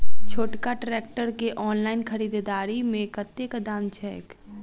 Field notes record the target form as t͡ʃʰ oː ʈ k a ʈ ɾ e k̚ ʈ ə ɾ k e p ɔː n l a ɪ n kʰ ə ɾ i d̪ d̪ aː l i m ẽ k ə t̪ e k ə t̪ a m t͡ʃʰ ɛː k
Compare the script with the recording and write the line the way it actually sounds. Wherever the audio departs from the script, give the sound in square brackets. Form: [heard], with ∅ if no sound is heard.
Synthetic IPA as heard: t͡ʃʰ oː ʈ k a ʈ ɾ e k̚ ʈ ə ɾ k e [ʔ] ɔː n l a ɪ n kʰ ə ɾ i d̪ d̪ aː [ɾ] i m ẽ k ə t̪ e k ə [d̪] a m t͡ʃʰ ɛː k